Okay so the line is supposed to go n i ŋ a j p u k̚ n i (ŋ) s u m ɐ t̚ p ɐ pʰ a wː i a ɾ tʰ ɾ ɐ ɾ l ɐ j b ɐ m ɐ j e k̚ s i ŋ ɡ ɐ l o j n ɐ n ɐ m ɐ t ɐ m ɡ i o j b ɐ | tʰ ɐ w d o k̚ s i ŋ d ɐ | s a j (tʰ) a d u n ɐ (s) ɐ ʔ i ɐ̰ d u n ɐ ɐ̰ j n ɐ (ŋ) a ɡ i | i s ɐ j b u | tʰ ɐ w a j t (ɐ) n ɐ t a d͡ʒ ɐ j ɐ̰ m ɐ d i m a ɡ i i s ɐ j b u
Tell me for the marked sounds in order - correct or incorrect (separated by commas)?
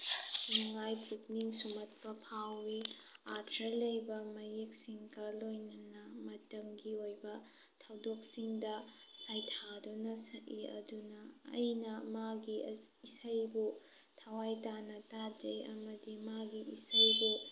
correct, correct, correct, incorrect, incorrect